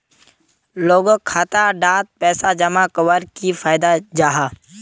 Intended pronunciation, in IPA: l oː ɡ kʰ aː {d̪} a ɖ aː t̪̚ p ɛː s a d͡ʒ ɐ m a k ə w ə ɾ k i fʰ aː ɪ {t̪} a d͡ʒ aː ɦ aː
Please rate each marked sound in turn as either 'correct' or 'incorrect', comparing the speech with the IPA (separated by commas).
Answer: incorrect, incorrect